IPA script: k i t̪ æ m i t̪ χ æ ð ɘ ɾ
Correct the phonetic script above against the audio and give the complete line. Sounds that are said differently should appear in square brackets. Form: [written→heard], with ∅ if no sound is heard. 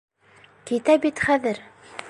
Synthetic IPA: k i t̪ æ [m→b] i t̪ χ æ ð ɘ ɾ